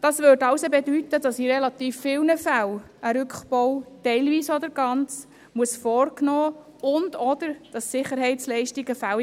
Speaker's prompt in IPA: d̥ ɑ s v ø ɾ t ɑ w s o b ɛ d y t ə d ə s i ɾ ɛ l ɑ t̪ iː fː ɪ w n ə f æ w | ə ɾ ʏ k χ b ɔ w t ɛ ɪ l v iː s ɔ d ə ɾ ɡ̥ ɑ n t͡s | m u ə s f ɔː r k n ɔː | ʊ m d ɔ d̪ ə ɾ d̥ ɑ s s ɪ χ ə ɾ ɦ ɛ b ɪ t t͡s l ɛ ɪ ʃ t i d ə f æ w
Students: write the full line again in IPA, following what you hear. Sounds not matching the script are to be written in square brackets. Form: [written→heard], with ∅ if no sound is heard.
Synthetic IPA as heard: d̥ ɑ s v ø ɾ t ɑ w s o b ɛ d y t ə d [ə→ɑ] s i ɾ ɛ l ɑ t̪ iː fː ɪ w n ə f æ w | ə ɾ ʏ k χ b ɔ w t ɛ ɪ l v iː s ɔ d ə ɾ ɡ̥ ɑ n t͡s | m u ə s f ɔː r k n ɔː | ʊ [m→n] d ɔ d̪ ə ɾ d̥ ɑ s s ɪ χ ə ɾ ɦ ɛ [b→∅] ɪ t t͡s l ɛ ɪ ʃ t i [d→ɡ] ə f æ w